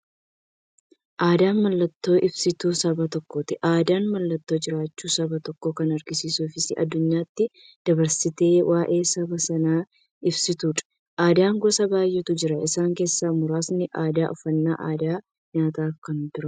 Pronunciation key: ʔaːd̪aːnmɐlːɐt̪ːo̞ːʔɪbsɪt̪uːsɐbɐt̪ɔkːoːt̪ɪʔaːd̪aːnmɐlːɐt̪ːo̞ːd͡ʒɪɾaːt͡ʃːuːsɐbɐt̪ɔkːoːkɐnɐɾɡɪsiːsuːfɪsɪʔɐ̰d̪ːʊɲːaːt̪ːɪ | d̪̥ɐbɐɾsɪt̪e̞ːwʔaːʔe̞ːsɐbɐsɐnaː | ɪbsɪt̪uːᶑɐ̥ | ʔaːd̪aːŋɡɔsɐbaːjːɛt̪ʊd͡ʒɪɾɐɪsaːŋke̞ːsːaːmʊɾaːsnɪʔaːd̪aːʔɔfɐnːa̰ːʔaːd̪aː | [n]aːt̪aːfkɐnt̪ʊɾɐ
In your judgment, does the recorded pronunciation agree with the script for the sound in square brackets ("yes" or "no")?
no